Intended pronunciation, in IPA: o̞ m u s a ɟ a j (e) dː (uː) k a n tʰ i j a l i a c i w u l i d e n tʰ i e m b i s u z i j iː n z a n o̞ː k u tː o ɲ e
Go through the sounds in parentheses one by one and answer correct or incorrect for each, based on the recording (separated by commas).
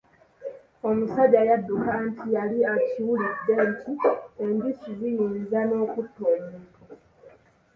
incorrect, incorrect